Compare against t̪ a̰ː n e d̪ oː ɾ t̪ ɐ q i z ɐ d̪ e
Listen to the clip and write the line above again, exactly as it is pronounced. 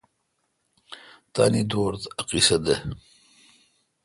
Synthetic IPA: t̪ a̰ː n i d̪ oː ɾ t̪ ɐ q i s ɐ d̪ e